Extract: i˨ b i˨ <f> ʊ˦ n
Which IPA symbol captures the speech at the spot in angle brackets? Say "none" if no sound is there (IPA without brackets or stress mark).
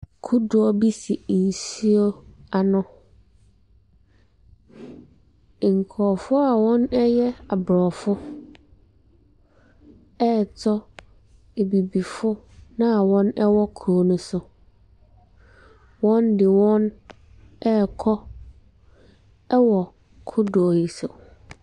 f